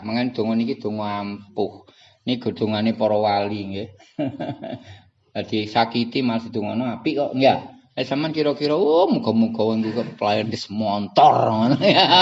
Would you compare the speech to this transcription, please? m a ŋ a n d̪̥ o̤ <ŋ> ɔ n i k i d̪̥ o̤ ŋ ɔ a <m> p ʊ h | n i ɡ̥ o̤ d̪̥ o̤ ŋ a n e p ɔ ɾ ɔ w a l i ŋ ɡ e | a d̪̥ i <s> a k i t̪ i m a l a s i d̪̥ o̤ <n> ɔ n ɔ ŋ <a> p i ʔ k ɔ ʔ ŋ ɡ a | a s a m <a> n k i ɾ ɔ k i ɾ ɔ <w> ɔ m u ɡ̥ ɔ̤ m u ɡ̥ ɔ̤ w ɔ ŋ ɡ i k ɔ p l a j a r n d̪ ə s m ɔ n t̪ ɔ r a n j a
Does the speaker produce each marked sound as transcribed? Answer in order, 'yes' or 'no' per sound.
yes, yes, yes, no, yes, yes, yes

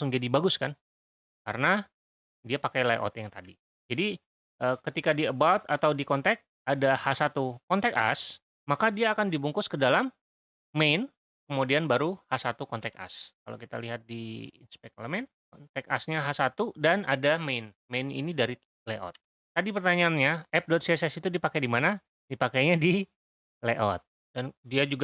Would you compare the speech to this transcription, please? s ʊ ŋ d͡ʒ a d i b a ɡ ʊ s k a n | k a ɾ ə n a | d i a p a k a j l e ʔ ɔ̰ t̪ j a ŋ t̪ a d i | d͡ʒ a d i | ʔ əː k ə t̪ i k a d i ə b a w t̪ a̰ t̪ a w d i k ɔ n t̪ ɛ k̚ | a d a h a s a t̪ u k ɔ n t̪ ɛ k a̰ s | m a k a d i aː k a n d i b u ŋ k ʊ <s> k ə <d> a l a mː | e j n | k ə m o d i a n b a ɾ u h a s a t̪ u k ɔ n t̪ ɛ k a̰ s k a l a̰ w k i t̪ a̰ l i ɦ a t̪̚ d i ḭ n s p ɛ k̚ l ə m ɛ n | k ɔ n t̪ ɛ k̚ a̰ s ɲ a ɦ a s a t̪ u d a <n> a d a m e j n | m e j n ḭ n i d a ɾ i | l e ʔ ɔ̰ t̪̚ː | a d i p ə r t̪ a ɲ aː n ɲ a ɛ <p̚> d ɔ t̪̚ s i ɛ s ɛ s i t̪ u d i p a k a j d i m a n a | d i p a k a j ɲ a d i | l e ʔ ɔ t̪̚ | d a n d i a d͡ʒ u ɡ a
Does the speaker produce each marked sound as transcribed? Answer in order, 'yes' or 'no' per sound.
yes, yes, yes, yes

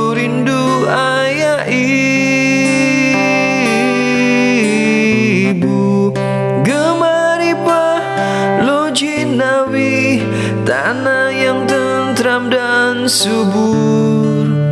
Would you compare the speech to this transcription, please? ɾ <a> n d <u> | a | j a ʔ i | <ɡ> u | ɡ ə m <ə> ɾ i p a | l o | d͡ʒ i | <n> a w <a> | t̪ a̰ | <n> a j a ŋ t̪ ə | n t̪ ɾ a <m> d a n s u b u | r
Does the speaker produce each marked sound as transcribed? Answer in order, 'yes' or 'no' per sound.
no, yes, no, no, yes, no, yes, yes

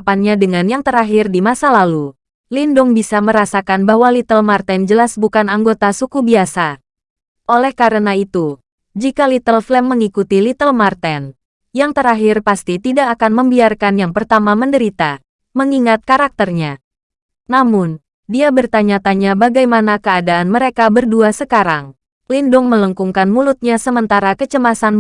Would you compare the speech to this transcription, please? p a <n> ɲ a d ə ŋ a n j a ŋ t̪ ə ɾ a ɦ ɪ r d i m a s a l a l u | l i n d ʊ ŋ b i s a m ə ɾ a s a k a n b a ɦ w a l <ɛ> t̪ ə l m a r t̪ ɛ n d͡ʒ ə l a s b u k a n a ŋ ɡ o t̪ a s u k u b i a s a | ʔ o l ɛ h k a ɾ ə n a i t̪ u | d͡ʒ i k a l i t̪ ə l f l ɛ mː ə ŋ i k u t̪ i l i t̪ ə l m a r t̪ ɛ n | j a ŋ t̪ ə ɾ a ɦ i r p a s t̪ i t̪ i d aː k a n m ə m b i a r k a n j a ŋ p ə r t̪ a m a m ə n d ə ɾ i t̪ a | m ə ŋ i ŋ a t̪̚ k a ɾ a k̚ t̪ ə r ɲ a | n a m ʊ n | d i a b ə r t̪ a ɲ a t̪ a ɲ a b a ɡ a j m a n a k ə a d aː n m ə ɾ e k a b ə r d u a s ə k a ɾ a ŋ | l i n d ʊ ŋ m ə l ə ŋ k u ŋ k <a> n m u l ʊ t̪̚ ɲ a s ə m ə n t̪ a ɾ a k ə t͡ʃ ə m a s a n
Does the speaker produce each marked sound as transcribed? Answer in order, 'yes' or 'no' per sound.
yes, no, yes

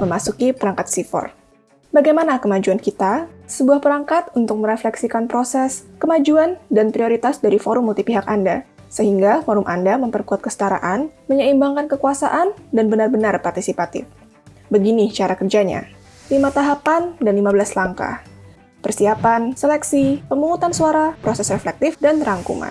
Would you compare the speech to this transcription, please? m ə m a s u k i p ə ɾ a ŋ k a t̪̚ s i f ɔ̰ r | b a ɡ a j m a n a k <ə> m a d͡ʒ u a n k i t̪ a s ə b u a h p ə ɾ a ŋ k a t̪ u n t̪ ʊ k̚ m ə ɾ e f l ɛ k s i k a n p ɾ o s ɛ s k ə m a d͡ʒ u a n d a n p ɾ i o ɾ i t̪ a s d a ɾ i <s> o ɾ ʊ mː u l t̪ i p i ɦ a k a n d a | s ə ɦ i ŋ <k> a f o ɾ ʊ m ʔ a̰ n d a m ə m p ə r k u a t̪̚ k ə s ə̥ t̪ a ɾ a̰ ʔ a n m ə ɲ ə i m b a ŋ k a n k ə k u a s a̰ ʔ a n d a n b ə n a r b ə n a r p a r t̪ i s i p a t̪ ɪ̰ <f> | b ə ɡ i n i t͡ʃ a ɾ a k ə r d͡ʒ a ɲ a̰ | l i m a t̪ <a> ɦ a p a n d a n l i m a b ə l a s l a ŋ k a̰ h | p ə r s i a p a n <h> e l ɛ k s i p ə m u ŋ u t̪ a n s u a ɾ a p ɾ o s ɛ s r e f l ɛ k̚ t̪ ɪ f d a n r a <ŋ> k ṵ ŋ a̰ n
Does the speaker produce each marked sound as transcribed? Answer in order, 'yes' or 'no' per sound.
yes, no, no, yes, yes, no, yes

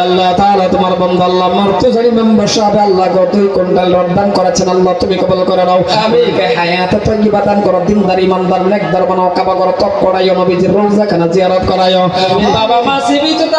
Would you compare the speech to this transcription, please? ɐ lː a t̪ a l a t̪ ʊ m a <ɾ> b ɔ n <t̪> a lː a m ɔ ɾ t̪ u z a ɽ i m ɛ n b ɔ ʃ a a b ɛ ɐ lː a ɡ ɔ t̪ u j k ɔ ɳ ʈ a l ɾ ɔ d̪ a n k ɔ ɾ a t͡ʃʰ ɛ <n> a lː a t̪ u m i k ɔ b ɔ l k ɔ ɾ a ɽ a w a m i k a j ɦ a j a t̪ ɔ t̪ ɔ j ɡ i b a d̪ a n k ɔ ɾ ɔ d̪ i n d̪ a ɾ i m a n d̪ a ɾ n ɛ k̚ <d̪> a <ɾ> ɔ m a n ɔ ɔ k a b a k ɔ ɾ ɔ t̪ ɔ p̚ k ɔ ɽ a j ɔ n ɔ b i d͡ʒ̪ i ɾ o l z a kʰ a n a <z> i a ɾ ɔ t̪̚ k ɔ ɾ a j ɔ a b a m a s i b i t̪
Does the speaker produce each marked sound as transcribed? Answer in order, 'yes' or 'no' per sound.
yes, no, yes, yes, yes, yes

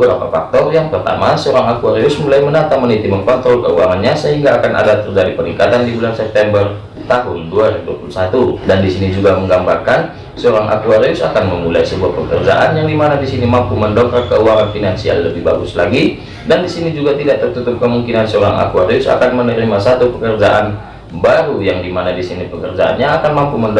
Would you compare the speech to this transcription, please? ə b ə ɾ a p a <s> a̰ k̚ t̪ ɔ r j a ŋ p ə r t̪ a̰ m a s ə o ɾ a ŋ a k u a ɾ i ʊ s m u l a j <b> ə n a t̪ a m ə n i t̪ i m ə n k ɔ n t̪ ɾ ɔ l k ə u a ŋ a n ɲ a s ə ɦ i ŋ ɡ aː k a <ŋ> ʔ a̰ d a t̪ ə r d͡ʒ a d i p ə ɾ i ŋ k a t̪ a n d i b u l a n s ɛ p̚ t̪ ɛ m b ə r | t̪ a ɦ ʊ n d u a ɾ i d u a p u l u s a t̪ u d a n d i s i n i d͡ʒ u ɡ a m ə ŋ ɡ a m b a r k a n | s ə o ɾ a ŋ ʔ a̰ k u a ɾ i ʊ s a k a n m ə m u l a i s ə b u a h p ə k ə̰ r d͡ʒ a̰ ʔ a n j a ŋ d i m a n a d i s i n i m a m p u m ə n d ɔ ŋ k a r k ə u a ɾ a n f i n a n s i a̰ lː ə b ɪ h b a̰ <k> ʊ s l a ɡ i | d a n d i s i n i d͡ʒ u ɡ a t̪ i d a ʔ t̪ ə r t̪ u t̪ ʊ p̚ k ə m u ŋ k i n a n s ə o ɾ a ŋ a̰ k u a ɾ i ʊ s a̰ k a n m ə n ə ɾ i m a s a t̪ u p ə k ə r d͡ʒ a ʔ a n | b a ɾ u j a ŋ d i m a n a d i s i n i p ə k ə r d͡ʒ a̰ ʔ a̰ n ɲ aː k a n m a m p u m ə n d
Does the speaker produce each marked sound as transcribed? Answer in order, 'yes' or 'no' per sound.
no, no, no, no

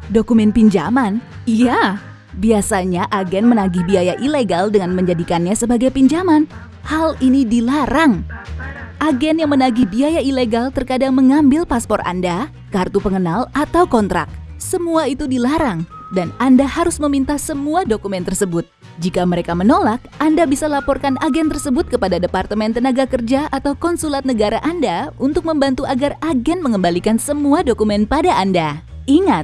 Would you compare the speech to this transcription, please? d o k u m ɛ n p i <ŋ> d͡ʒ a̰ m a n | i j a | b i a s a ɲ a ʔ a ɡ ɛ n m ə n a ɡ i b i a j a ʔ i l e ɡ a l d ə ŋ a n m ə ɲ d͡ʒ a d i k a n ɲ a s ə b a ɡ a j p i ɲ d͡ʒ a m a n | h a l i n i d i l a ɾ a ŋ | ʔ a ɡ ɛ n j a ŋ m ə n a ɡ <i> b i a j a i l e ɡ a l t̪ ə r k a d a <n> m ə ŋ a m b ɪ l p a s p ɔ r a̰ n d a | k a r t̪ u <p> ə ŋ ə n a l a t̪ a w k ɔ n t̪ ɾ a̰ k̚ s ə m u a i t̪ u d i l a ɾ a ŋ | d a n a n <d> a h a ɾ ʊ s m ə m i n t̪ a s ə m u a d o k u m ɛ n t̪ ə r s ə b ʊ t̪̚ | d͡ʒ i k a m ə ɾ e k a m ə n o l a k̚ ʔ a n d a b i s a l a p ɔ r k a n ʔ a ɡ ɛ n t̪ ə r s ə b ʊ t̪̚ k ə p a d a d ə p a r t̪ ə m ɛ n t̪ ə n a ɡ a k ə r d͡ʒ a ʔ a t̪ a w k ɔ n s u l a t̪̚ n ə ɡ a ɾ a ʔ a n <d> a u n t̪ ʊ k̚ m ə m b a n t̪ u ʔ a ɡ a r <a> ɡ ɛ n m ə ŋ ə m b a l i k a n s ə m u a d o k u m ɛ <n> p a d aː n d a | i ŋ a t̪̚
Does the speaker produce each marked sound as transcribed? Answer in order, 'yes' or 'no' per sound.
no, yes, no, yes, yes, yes, yes, yes

